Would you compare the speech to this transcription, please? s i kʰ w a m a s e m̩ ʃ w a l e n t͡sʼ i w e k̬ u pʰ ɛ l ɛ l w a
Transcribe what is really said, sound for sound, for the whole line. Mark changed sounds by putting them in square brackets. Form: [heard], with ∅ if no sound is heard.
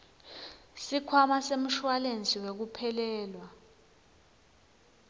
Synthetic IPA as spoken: s i kʰ w a m a s e m̩ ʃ w a l e n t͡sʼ i w e k̬ u pʰ ɛ l [ɛː] l w a

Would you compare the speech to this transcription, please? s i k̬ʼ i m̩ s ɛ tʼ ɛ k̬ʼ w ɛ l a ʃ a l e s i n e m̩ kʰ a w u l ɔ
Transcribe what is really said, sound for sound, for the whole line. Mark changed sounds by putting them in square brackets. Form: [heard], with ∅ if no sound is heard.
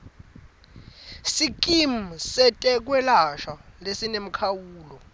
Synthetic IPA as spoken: s i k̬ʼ i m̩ s ɛ tʼ ɛ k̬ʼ w ɛ l a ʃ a l e s i n e m̩ kʰ a w [uː] l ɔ

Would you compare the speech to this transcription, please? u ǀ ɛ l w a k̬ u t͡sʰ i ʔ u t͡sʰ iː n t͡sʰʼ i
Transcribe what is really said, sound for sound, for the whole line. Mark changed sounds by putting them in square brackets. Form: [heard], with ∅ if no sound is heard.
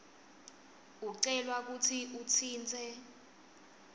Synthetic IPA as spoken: u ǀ ɛ l w a k̬ u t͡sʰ i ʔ u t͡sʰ iː n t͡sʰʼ [ɛ]

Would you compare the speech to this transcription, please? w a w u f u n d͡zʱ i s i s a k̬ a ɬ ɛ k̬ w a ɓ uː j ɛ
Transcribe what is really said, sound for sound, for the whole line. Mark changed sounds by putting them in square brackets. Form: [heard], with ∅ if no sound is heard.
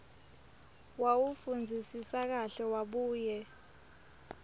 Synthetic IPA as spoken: w a w u f u n d͡zʱ i s i s a k̬ a ɬ ɛ [∅] w a ɓ uː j ɛ

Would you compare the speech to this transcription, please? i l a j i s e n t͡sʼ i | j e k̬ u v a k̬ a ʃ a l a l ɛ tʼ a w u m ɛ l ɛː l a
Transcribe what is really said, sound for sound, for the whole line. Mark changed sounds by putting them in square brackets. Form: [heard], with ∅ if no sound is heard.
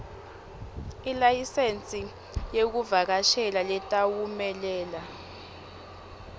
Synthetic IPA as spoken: i l a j i s e n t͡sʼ i | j e k̬ u v a k̬ a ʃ [ɛ] l a l ɛ tʼ a w u m ɛ l ɛː l a

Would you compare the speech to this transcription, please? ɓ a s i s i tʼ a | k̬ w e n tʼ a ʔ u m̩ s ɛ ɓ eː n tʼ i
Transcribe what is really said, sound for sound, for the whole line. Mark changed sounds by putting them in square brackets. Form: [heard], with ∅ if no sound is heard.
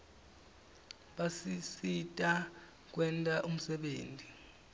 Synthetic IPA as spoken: ɓ a s i s i tʼ a | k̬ w [ɛ] n tʼ a ʔ u m̩ s ɛ ɓ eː n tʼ i

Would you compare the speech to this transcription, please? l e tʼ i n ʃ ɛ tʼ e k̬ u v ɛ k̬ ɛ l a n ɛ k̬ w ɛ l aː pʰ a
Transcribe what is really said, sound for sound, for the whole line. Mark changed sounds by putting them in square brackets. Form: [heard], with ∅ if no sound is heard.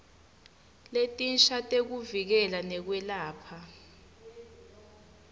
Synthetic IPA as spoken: l e tʼ i n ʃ [a] tʼ e k̬ u v [i] k̬ ɛ l a n ɛ k̬ w ɛ l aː pʰ a

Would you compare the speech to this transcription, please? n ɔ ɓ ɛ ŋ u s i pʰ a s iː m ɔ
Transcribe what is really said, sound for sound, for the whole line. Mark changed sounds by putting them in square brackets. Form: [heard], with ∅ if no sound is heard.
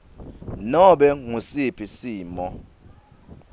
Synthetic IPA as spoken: n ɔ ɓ ɛ ŋ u s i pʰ [i] s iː m ɔ

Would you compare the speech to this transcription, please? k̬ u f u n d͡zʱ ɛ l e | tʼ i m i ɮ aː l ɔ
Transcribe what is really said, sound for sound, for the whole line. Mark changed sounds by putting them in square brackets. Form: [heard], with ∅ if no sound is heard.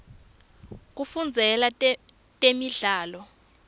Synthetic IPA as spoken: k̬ u f u n d͡zʱ ɛ l [a] | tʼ [e] m i ɮ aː l ɔ

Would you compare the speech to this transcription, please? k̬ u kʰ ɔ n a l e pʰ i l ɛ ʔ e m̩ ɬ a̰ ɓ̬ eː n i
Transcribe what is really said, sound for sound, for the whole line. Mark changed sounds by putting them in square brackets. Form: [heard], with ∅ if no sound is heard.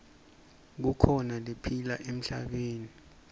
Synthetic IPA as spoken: k̬ u kʰ ɔ n a l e pʰ i l [a] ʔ e m̩ ɬ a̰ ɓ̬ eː n i

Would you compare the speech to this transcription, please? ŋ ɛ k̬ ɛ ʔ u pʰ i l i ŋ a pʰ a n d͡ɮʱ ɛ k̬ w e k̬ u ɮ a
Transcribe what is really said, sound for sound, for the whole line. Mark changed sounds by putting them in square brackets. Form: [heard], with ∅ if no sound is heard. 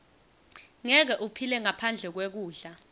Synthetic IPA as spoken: ŋ ɛ k̬ ɛ ʔ u pʰ i l [ɛ] ŋ a pʰ a n d͡ɮʱ ɛ k̬ w e k̬ [uː] ɮ a

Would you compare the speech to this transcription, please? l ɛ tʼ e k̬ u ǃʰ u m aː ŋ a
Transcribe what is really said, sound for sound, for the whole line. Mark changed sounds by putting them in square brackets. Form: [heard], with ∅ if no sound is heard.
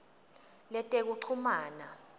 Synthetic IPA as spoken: l ɛ tʼ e k̬ u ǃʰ u m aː [n] a

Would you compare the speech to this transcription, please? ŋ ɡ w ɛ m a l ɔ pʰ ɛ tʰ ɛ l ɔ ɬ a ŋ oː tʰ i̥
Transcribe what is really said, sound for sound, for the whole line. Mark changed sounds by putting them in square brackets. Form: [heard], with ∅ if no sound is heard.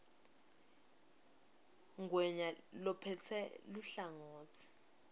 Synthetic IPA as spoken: ŋ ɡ w ɛ [ɲ] a l ɔ pʰ ɛ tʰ ɛ l [u] ɬ a ŋ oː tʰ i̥

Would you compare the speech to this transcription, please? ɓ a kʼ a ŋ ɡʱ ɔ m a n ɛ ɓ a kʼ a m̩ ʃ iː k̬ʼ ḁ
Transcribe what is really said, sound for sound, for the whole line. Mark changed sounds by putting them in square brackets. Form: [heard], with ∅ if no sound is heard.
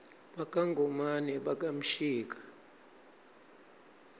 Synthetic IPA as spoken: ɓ a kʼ a ŋ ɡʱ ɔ m a n ɛ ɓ a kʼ a m̩ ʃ iː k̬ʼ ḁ

